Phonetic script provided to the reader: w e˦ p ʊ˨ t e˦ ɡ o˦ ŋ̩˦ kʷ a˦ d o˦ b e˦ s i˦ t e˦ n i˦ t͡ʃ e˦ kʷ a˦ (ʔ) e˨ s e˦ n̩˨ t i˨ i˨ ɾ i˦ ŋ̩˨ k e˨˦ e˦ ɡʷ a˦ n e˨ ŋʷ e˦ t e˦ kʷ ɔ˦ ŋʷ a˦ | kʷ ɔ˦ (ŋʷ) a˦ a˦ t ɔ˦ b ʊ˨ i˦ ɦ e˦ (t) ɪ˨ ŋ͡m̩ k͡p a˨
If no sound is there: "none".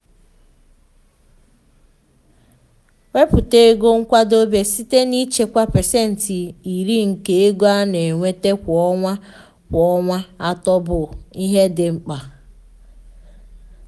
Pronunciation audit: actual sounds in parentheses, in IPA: p, ŋʷ, d

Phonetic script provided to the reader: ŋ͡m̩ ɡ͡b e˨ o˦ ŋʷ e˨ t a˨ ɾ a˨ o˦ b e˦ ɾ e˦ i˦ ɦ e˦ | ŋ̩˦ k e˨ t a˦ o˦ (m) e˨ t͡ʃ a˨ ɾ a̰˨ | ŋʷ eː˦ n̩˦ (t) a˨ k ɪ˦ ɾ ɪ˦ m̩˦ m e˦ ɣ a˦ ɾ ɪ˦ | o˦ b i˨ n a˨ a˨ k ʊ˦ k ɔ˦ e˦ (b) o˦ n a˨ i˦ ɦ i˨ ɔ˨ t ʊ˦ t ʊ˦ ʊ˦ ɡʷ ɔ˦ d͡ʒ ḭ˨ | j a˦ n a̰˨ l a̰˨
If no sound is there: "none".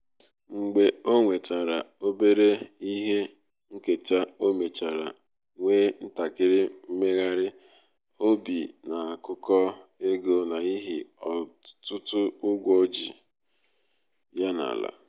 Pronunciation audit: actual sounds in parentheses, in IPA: m, t, ɡ

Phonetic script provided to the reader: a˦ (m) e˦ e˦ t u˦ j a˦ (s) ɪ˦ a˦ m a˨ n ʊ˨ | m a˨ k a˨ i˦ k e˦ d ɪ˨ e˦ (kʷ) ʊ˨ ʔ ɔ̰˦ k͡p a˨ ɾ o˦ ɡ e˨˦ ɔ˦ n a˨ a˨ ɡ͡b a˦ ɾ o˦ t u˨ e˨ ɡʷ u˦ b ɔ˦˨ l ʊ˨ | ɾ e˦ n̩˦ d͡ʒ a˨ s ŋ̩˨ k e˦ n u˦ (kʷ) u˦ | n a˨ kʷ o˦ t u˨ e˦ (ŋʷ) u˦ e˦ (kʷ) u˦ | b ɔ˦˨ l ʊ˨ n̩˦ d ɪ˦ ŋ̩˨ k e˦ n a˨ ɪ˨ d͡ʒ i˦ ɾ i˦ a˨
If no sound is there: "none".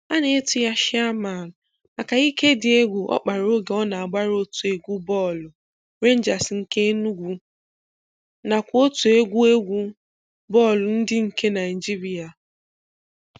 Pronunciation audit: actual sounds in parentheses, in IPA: n, ʃ, ɡʷ, ɡʷ, ɡʷ, ɡʷ

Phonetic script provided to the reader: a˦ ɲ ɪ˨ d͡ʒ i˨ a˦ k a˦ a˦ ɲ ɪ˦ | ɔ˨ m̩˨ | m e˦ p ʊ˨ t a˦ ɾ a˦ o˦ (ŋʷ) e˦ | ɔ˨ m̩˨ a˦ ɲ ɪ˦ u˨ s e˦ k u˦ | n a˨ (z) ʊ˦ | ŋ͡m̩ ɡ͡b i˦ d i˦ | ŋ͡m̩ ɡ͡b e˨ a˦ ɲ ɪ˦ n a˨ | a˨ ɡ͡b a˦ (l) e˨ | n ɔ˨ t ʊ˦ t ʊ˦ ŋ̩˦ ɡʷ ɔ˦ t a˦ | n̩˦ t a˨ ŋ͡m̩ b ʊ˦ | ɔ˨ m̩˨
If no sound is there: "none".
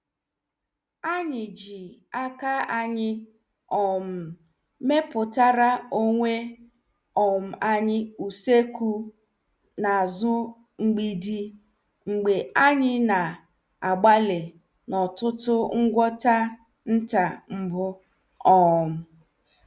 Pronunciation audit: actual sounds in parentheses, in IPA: ŋʷ, z, l

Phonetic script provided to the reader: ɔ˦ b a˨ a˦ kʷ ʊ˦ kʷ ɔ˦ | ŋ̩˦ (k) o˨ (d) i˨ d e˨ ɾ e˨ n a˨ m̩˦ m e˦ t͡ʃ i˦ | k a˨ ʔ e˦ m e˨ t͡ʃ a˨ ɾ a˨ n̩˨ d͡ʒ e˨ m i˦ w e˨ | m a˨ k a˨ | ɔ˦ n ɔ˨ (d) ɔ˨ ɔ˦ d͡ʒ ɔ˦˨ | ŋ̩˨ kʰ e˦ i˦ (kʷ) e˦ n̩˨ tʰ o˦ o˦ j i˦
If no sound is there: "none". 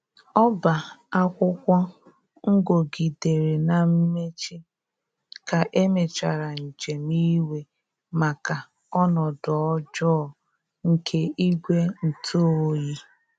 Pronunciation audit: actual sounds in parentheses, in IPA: ɡ, ɡ, d, ɡʷ

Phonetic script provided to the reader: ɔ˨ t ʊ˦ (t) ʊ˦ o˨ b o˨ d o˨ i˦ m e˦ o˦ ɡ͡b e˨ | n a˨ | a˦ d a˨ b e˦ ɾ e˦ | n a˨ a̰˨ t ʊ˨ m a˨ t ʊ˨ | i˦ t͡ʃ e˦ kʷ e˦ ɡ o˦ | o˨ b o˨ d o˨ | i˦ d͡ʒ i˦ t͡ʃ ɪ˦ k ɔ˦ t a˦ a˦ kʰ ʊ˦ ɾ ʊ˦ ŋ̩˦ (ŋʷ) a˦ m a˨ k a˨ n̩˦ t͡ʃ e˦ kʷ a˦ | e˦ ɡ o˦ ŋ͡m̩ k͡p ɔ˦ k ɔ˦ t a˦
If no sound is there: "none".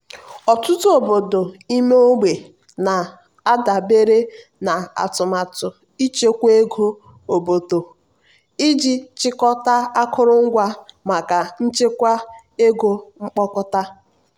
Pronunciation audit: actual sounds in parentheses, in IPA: t, ɡʷ

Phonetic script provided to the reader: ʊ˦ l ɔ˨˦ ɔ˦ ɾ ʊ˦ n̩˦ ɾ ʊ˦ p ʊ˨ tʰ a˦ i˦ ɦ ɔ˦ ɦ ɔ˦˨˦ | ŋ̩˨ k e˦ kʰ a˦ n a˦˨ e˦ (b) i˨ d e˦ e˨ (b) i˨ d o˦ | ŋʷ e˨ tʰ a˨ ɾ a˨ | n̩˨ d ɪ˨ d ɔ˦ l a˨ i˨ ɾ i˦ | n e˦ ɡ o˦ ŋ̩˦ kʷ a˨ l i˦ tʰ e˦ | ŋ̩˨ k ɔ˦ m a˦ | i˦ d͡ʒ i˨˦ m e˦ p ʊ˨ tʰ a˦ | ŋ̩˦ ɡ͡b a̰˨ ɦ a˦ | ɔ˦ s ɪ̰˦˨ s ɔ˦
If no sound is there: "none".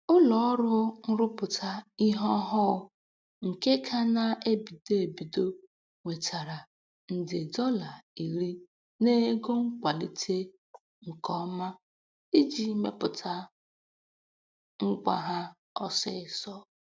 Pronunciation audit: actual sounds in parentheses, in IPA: b, b

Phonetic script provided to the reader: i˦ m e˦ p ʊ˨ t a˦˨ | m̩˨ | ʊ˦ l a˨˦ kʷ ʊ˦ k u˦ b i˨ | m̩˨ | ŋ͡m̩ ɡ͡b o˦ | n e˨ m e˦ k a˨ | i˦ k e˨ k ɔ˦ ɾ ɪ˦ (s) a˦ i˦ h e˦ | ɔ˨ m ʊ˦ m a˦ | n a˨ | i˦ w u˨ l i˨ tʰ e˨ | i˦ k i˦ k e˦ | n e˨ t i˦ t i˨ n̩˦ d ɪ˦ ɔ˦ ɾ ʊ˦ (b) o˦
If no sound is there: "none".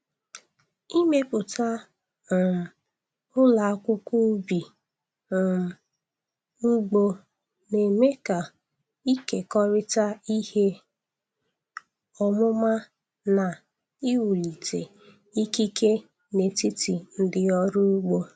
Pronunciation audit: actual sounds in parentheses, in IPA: t, ɡ͡b

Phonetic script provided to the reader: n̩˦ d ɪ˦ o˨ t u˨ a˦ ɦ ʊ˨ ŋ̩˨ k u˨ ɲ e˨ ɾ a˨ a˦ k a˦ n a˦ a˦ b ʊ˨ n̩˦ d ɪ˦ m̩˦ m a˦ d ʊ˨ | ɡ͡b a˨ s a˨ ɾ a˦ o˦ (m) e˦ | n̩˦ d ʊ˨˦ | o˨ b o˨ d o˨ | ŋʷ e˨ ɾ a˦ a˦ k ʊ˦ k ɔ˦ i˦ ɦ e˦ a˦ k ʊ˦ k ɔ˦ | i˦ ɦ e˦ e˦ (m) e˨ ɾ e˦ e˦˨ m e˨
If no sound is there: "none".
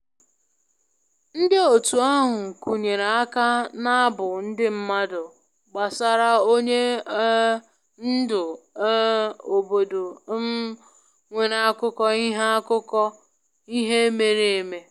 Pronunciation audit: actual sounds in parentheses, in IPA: ɲ, m

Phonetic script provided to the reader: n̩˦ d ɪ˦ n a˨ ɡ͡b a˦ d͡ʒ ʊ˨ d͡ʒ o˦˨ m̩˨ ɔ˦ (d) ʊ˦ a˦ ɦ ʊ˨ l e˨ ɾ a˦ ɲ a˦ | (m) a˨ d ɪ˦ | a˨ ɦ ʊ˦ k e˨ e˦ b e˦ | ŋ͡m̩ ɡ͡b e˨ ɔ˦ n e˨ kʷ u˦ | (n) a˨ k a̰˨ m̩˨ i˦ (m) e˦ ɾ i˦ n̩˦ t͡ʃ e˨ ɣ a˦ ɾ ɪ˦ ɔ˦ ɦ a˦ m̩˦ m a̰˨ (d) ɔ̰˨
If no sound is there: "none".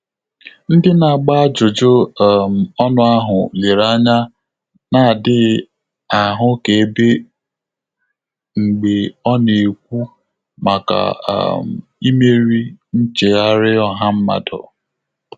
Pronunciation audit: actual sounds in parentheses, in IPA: n, n, m, m, d

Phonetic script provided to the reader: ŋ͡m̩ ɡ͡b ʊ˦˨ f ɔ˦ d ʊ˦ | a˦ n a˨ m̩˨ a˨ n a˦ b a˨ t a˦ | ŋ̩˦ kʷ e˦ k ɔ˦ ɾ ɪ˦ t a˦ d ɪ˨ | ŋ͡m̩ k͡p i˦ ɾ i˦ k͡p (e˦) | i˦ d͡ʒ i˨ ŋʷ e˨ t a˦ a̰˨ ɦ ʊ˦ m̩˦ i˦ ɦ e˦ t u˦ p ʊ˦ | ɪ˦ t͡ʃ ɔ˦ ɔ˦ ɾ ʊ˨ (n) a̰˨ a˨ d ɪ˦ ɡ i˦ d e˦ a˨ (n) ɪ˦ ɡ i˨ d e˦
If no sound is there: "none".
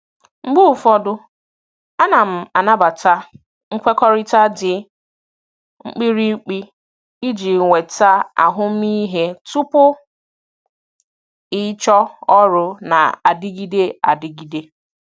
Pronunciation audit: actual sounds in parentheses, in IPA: i˦, n, d

